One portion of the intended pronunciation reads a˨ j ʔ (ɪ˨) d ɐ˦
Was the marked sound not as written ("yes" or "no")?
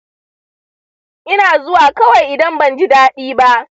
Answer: no